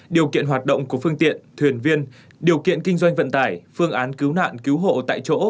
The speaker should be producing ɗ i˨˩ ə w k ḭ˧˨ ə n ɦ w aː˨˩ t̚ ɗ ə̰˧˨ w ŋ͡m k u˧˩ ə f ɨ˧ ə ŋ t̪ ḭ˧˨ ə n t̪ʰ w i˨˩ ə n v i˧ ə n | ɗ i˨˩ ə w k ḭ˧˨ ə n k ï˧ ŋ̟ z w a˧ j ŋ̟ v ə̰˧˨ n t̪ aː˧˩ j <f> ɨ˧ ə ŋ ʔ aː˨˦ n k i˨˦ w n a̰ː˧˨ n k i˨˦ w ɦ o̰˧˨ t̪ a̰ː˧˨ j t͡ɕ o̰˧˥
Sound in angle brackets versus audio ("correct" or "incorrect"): correct